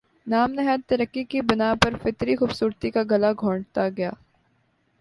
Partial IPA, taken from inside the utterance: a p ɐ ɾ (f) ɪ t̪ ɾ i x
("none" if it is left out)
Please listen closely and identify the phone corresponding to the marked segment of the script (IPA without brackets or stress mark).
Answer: f